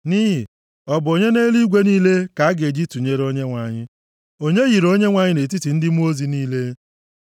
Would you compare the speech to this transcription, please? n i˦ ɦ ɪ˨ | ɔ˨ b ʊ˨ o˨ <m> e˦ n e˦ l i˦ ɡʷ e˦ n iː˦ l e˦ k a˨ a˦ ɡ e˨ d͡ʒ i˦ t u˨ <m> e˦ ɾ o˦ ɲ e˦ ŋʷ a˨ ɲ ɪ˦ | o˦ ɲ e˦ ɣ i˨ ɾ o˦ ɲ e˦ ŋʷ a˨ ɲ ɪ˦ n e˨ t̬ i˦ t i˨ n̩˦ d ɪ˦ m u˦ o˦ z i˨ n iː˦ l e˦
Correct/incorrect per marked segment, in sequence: incorrect, incorrect

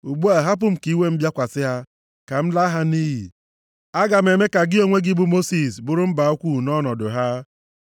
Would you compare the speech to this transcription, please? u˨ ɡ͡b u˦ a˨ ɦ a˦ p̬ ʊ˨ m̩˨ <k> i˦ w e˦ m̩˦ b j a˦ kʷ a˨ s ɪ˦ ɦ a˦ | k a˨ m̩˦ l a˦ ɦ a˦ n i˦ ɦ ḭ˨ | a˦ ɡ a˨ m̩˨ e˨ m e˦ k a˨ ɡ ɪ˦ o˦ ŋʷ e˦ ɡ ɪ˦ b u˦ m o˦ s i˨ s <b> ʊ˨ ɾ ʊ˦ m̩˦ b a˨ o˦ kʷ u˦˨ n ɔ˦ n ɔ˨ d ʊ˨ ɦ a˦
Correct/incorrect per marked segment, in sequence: correct, correct

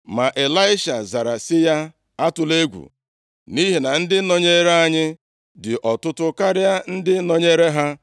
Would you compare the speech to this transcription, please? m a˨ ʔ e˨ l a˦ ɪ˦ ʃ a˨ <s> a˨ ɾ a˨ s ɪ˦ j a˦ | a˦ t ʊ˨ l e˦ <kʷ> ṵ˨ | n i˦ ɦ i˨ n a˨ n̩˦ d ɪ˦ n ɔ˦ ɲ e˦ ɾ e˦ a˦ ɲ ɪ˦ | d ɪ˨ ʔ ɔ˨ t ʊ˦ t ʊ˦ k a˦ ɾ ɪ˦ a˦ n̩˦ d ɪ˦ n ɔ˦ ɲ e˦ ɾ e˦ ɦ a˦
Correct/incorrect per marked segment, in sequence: incorrect, incorrect

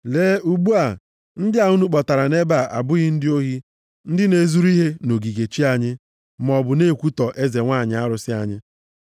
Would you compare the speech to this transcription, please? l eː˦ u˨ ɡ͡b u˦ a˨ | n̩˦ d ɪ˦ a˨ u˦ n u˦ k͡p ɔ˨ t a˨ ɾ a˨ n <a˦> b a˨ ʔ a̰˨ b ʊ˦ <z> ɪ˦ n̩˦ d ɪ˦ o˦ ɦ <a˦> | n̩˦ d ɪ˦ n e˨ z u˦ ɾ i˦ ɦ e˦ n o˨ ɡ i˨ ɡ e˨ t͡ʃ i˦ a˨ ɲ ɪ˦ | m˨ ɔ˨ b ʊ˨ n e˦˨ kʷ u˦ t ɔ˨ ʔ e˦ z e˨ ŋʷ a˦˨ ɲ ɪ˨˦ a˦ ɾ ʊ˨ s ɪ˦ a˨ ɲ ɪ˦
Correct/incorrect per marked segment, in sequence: incorrect, incorrect, incorrect

